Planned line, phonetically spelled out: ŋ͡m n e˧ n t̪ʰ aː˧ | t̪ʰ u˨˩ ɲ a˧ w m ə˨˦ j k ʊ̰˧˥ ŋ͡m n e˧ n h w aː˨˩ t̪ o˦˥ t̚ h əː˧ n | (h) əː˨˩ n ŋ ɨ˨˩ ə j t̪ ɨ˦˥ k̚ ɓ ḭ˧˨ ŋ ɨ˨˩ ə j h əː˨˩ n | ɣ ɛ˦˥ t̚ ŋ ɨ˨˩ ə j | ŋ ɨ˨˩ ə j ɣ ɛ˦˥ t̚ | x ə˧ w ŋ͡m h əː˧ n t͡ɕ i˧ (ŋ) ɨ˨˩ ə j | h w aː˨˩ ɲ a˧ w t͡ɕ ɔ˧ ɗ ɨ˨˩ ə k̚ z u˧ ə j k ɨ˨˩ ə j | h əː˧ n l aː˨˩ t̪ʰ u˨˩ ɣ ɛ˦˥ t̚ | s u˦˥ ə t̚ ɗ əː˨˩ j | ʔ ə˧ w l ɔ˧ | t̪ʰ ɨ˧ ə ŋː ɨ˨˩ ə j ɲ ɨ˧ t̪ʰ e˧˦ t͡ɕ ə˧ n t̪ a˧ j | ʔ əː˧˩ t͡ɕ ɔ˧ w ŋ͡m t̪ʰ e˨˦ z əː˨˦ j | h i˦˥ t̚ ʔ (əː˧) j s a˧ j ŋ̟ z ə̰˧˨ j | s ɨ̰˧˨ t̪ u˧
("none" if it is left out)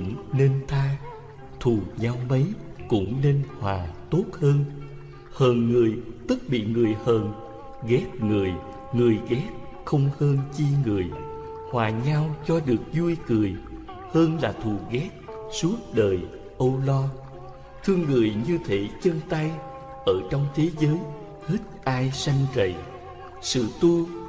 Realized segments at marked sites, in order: h, ŋ, aː˧

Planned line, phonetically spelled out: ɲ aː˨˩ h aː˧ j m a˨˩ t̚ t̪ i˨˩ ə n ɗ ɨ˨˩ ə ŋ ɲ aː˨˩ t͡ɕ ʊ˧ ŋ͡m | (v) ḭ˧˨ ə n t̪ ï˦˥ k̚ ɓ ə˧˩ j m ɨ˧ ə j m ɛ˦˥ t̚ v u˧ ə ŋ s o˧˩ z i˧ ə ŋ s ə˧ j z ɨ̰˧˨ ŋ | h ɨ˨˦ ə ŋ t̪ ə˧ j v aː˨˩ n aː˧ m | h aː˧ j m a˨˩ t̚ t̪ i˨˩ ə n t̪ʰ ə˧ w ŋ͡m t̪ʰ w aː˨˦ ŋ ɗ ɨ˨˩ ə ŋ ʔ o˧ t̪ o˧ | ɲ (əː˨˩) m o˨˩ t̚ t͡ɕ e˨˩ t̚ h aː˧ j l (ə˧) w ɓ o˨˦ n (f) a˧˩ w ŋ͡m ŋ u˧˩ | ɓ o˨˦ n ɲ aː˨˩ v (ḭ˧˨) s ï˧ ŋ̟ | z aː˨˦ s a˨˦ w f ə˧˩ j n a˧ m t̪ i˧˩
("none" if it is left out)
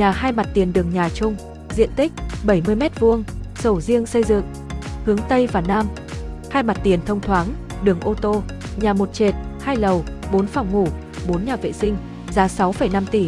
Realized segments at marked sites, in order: z, aː˨˩, ə˨˩, f, ḛ˧˨

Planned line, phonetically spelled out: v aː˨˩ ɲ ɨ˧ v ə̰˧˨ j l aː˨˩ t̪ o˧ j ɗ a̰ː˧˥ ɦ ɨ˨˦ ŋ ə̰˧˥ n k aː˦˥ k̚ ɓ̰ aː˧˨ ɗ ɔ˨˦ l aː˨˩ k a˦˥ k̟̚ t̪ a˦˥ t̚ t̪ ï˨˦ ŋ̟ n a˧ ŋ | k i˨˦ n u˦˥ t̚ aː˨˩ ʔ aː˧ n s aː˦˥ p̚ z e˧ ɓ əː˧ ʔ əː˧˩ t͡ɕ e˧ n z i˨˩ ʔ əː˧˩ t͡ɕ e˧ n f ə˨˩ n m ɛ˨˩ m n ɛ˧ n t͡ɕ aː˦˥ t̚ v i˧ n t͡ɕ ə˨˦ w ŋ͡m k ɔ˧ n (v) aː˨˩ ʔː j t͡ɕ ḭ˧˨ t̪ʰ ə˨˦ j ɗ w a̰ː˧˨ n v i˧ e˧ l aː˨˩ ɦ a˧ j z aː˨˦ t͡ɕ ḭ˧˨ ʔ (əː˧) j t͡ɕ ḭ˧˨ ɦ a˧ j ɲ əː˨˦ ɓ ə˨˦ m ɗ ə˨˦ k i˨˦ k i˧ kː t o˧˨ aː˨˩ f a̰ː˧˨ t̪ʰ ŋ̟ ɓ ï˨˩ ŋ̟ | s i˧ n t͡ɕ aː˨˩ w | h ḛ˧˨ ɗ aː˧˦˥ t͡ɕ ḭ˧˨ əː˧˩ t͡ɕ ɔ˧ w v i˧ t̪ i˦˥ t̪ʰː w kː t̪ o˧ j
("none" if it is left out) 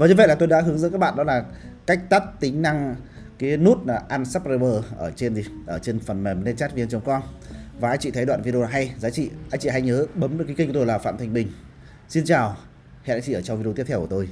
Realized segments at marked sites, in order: v, aː˧

